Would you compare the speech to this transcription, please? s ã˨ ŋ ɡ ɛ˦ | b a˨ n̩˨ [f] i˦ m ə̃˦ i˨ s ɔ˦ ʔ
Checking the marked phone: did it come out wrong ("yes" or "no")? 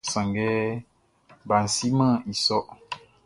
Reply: yes